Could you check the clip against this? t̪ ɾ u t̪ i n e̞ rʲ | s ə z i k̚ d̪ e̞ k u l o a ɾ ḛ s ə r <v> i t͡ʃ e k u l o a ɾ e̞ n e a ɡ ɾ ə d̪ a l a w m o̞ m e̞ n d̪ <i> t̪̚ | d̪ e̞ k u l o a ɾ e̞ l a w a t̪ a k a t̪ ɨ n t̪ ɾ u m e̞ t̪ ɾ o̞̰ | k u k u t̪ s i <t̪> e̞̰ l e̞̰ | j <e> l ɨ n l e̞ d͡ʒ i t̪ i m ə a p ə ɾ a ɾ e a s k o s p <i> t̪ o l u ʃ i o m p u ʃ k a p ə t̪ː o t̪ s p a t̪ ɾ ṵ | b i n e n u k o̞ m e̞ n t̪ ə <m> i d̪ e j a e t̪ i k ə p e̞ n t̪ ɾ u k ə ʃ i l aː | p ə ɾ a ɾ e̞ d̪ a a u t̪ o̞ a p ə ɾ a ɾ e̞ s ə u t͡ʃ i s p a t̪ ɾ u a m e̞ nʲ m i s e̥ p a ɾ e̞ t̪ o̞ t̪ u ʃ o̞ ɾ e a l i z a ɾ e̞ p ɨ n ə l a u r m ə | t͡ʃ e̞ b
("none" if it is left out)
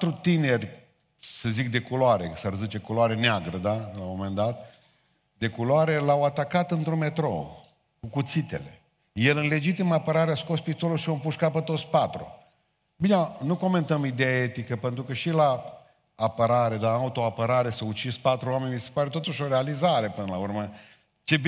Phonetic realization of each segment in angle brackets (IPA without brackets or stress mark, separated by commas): z, a, t̪, e, i, m